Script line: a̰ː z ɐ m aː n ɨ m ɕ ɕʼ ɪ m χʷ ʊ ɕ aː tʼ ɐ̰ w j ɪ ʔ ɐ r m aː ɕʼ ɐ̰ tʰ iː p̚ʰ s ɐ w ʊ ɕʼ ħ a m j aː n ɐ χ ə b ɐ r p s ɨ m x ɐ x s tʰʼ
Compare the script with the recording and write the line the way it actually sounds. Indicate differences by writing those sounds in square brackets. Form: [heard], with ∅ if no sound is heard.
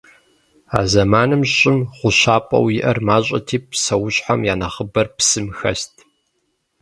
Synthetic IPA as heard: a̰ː z ɐ m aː n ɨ m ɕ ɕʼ ɪ m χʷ ʊ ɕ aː [pʼ] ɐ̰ w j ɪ ʔ ɐ r m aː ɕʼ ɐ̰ tʰ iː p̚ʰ s ɐ w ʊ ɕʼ ħ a m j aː n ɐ χ ə b ɐ r p s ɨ m x ɐ [∅] s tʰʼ